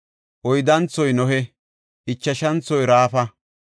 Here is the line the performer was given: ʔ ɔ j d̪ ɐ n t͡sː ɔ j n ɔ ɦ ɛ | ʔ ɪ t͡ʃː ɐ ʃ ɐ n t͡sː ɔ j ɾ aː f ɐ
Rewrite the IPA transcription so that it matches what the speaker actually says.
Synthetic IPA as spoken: ʔ ɔ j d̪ ɐ n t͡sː ɔ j n ɔ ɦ ɛ | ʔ ɪ t͡ʃː ɐ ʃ ɐ n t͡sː ɔ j ɾ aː f ɐ